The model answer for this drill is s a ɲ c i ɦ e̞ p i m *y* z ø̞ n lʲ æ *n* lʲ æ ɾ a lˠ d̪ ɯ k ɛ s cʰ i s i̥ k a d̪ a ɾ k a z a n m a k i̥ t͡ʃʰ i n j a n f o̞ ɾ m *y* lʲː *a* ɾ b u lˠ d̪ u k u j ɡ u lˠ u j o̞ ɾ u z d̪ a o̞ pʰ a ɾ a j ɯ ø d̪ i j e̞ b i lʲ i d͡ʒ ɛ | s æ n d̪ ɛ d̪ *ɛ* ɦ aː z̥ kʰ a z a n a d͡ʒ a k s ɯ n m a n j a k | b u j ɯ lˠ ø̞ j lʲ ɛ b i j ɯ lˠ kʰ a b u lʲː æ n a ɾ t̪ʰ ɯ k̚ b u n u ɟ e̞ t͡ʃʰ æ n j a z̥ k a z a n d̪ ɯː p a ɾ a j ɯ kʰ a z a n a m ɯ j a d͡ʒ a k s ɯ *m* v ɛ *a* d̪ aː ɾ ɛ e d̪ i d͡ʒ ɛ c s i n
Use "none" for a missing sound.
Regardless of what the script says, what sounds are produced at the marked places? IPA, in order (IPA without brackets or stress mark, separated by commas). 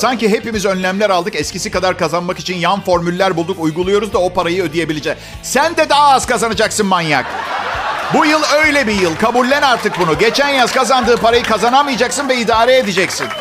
i, m, y, æ, a, n, i